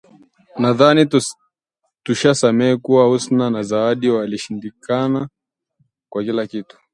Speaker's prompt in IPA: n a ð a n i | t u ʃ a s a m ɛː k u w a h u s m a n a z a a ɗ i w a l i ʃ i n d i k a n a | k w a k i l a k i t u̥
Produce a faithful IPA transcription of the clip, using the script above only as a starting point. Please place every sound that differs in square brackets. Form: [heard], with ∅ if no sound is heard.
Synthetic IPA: n a ð a n i | t u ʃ a s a m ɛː k u w a h u s [n] a n a z a a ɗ i w a l i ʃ i n d i k a n a | k w a k i l a k i t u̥